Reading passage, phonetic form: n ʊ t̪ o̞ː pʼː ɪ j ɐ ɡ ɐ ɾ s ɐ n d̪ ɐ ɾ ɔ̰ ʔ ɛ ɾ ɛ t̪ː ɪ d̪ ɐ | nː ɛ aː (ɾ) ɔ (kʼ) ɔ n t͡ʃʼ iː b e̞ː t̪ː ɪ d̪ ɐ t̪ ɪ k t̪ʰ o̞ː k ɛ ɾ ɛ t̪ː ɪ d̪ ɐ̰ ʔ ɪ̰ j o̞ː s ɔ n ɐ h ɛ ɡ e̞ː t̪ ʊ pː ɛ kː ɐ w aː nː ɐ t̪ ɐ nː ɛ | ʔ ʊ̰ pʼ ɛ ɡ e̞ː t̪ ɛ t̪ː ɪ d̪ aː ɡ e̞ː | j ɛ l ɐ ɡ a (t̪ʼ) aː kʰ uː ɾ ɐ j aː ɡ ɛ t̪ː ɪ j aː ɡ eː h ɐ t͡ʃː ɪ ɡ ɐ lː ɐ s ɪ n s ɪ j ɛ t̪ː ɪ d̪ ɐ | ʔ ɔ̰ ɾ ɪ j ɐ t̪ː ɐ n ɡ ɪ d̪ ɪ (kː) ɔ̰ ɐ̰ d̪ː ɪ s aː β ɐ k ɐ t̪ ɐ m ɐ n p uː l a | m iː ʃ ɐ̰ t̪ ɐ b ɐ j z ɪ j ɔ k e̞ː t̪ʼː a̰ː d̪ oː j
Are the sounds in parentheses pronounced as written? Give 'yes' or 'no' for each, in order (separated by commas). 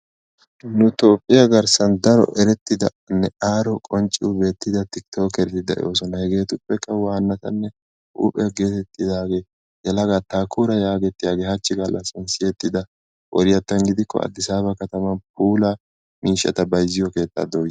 yes, yes, no, yes